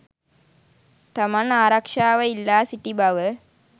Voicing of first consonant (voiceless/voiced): voiceless